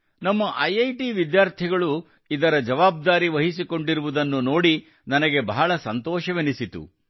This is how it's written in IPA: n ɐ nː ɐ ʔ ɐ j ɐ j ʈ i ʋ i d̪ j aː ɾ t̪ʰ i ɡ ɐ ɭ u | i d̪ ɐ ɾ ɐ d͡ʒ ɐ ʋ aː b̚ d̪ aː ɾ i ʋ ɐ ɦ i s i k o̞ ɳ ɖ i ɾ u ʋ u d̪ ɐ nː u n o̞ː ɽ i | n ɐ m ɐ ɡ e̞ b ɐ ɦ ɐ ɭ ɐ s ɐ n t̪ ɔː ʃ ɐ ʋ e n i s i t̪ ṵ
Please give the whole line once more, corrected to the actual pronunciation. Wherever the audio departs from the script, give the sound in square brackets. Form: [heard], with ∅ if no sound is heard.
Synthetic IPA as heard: n ɐ [mː] ɐ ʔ ɐ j ɐ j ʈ i ʋ i d̪ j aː ɾ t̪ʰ i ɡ ɐ ɭ u | i d̪ ɐ ɾ ɐ d͡ʒ ɐ ʋ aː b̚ d̪ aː ɾ i ʋ ɐ ɦ i s i k o̞ ɳ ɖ i ɾ u ʋ u d̪ ɐ nː u n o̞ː ɽ i | n ɐ [n] ɐ ɡ e̞ b ɐ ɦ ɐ ɭ ɐ s ɐ n t̪ ɔː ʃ ɐ ʋ e n i s i t̪ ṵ